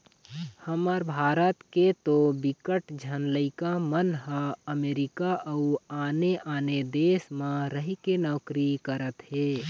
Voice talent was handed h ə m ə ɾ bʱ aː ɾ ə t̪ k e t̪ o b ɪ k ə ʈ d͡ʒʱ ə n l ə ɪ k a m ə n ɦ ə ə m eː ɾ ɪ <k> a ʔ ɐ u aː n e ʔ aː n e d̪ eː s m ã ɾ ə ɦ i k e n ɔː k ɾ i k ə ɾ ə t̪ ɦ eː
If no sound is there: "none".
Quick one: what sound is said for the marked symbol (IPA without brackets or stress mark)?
k